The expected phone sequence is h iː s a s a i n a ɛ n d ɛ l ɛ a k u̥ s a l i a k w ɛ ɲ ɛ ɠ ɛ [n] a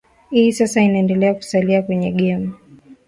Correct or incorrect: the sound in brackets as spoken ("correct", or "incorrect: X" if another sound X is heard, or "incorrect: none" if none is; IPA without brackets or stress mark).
incorrect: m